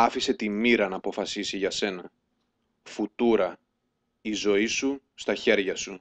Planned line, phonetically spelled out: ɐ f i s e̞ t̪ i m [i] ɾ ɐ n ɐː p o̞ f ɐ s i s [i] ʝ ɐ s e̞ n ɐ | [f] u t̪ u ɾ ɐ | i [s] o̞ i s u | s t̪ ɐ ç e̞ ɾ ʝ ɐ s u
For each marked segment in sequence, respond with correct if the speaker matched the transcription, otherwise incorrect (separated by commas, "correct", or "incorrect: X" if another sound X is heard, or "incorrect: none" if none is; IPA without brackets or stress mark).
correct, correct, correct, incorrect: z